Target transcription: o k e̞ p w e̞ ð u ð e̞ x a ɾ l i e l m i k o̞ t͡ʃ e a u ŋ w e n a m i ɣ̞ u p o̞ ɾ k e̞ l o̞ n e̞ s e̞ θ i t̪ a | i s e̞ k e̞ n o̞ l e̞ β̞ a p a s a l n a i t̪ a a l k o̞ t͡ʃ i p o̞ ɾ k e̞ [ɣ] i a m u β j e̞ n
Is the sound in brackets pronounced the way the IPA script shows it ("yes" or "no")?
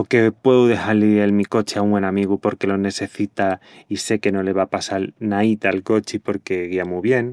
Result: yes